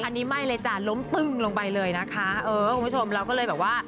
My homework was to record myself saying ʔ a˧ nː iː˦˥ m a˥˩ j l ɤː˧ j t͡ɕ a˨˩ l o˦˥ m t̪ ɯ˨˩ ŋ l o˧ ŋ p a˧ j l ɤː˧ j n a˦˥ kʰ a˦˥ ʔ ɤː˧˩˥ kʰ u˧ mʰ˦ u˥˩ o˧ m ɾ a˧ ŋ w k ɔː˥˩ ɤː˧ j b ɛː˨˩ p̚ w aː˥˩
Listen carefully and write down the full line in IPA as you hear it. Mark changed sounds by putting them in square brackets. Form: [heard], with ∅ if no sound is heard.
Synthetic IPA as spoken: ʔ a˧ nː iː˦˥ m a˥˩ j l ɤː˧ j t͡ɕ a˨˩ l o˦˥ m t̪ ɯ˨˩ ŋ l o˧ ŋ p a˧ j l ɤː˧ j n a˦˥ kʰ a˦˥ ʔ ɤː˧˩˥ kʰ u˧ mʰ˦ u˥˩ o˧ m ɾ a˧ [∅] w k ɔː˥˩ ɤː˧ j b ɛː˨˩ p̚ w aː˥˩